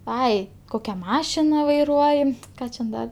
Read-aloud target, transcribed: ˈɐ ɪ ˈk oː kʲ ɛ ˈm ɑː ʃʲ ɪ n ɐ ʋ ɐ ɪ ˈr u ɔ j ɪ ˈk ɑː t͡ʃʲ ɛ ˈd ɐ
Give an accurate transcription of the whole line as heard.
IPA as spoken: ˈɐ ɪ ˈk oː kʲ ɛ ˈm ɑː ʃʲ ɪ n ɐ ʋ ɐ ɪ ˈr u ɔ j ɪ ˈk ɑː t͡ʃʲ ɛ ˈd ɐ

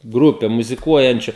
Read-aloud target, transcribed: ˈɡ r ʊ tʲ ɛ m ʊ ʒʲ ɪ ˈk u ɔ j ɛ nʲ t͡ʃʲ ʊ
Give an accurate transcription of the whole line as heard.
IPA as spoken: ˈɡ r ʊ pʲ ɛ m ʊ zʲ ɪ ˈk u ɔ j ɛ nʲ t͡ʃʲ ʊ

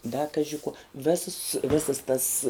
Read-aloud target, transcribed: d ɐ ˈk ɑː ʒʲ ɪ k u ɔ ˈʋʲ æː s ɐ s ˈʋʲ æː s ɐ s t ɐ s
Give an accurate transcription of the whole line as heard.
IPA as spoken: d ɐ ˈk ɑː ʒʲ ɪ k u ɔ ˈʋʲ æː s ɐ s ˈʋʲ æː s ɐ s t ɐ s

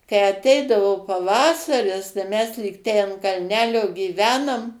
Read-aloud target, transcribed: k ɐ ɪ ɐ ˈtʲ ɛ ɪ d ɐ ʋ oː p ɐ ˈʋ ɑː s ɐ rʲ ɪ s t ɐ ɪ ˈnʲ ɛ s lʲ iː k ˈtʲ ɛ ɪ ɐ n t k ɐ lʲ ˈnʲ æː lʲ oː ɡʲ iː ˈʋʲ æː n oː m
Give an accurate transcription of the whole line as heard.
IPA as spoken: k ɐ ɪ ɐ ˈtʲ ɛ ɪ d ɐ ʋ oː p ɐ ˈʋ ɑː s ɐ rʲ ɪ s t ɐ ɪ ˈmʲ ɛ s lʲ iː k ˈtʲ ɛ ɪ ɐ n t k ɐ lʲ ˈnʲ æː lʲ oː ɡʲ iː ˈʋʲ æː n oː m

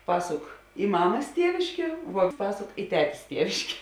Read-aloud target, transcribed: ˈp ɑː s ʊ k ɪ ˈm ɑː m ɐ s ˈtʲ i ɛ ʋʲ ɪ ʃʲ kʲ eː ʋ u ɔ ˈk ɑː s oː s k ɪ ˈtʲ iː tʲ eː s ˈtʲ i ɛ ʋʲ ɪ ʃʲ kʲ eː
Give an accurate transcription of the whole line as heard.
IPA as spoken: ˈp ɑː s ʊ k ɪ ˈm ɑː m ɐ s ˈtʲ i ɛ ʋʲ ɪ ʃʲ kʲ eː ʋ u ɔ ˈp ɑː s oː k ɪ ˈtʲ æː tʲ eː s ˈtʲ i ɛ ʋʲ ɪ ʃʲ kʲ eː

